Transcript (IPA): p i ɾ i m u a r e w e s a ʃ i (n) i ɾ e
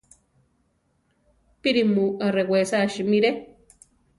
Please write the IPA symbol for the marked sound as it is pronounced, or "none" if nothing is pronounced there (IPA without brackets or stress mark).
m